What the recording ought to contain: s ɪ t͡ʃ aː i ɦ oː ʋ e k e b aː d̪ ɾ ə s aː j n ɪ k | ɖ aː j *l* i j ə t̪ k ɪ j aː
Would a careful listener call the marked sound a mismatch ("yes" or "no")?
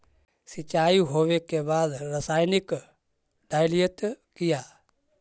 no